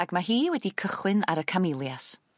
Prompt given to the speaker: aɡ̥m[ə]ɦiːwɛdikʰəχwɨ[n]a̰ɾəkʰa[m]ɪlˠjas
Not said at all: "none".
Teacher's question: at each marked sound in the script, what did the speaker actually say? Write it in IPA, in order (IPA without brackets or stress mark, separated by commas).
a, n, m